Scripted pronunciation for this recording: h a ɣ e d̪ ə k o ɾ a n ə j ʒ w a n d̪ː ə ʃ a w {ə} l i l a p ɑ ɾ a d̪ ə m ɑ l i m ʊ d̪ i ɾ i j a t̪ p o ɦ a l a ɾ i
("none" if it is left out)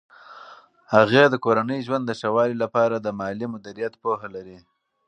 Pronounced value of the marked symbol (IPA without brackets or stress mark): ɑ